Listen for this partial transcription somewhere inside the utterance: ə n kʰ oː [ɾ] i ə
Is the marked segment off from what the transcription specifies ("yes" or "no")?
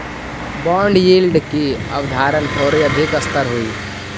no